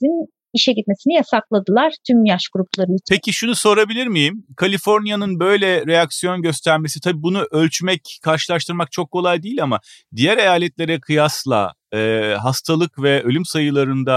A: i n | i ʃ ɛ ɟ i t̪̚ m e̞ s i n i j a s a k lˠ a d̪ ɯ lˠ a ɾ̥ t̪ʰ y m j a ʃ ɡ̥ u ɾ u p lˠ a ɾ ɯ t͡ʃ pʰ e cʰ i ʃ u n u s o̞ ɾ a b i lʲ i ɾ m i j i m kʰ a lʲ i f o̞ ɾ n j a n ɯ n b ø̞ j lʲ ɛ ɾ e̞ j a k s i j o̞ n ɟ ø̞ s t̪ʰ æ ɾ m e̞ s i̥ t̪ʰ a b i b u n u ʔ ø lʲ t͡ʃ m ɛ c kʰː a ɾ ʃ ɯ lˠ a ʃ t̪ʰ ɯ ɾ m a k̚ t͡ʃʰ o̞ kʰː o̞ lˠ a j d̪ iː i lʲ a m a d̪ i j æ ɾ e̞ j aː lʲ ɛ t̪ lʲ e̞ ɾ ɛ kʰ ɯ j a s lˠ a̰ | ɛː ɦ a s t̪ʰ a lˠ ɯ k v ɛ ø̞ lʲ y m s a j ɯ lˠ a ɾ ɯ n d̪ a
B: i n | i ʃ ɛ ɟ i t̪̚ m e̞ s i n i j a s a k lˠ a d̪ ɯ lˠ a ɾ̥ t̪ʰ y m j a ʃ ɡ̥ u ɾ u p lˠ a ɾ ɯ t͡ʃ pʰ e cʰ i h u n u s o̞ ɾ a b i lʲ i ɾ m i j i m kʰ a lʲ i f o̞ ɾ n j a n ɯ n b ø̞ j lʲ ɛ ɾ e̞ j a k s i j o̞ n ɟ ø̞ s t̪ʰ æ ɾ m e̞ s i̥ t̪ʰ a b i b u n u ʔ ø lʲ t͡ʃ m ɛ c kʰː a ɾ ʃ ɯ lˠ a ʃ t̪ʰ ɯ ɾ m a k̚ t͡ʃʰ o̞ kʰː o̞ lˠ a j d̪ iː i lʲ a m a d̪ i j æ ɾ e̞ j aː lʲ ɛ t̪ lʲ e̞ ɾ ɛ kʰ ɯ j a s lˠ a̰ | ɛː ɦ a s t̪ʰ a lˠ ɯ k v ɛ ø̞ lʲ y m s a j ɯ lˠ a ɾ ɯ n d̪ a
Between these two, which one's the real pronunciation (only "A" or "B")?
A